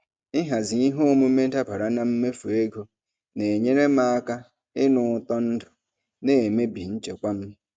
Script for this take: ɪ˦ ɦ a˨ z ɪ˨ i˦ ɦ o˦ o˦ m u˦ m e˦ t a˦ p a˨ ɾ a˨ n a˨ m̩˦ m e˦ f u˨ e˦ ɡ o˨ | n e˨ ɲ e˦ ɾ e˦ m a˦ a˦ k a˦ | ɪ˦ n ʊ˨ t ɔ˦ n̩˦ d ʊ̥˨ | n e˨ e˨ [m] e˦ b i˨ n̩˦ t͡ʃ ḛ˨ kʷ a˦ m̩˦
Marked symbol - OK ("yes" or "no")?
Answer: yes